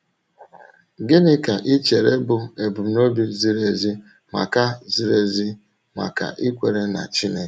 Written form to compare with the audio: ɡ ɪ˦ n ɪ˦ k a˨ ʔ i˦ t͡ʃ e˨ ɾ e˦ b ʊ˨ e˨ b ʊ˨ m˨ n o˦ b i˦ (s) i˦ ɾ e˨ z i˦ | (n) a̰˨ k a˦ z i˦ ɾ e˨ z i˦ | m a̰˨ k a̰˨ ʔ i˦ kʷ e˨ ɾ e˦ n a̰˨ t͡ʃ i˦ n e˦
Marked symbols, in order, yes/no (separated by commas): no, no